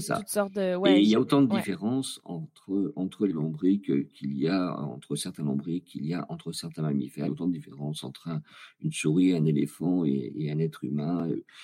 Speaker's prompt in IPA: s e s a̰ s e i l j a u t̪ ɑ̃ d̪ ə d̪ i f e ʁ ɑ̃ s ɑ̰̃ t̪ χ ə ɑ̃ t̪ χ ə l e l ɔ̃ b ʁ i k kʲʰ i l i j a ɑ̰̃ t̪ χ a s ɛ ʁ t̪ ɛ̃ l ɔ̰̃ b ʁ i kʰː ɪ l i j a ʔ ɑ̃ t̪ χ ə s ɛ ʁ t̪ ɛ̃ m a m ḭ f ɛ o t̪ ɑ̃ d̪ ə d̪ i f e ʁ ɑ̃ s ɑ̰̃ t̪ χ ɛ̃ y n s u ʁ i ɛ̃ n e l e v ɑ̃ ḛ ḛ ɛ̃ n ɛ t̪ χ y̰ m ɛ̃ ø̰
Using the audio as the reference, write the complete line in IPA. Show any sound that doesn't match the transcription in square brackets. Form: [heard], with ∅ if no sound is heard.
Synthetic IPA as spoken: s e s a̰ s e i l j a [o] t̪ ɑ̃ d̪ ə d̪ i f e ʁ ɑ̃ s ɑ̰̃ t̪ χ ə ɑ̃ t̪ χ ə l e l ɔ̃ b ʁ i k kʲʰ i l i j a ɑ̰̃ t̪ χ [ə] s ɛ ʁ t̪ ɛ̃ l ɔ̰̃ b ʁ i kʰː [i] l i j a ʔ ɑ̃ t̪ χ ə s ɛ ʁ t̪ ɛ̃ m a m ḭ f ɛ o t̪ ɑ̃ d̪ ə d̪ i f e ʁ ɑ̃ s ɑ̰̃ t̪ χ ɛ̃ y n s u ʁ i ɛ̃ n e l e [f] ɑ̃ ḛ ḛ ɛ̃ n ɛ t̪ χ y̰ m ɛ̃ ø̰